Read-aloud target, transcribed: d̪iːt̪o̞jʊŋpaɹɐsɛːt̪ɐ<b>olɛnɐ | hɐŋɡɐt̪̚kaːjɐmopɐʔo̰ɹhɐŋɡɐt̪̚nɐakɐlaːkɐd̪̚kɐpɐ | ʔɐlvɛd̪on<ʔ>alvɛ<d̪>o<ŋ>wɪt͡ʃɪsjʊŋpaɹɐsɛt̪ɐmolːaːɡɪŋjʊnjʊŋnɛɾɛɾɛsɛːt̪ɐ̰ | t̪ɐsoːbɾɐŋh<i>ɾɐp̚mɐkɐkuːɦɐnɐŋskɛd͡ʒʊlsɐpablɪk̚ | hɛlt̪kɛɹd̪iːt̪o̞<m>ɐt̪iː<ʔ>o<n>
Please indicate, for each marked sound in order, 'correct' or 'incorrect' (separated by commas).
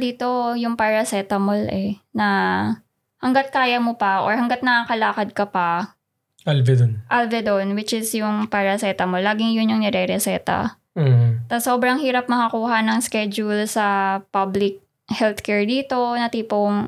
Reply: incorrect, correct, correct, incorrect, incorrect, incorrect, incorrect, incorrect